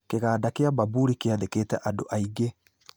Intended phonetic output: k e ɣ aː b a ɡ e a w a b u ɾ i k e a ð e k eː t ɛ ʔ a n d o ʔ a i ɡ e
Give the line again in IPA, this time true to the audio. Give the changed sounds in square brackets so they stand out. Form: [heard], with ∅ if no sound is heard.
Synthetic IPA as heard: k e ɣ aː [d] a [k] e a [b] a b u ɾ i k e a ð e k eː t ɛ ʔ a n d o ʔ a i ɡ e